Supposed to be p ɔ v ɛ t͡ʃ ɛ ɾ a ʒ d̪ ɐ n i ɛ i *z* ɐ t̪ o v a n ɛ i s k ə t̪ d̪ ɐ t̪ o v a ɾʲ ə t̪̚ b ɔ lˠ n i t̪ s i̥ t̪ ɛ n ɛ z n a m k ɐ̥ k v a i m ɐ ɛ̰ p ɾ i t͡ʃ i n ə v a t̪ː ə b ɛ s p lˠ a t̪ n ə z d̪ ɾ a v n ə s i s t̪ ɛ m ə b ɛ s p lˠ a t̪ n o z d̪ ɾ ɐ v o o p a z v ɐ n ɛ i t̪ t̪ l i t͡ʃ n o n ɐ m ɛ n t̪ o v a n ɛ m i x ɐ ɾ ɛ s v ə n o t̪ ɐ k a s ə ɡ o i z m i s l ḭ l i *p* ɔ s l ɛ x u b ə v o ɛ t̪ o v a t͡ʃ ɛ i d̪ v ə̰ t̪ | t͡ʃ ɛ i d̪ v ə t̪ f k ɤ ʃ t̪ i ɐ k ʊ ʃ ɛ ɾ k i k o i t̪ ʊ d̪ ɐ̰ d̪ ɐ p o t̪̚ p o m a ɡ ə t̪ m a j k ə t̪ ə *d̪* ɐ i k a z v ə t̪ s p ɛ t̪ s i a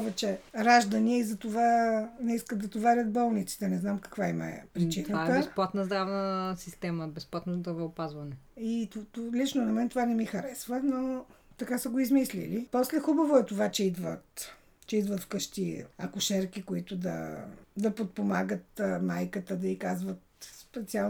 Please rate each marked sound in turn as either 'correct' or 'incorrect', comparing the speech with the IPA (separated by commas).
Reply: correct, correct, correct